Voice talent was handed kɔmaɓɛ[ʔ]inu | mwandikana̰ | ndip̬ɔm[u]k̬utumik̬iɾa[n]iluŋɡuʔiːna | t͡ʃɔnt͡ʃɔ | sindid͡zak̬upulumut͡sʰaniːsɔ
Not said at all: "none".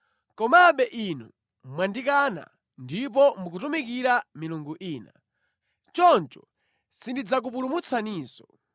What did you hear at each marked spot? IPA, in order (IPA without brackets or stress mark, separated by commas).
ʔ, u, m